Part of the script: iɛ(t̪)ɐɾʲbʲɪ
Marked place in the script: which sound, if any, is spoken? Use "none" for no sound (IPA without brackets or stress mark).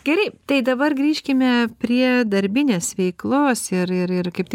d̪